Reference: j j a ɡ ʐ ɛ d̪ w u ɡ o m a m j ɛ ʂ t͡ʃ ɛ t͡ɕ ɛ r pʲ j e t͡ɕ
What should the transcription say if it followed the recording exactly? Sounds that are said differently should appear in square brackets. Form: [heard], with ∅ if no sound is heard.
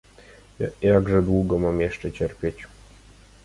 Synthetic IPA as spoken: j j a ɡ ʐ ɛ d̪ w u ɡ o m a m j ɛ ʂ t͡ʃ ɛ t͡ɕ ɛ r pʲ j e t͡ɕ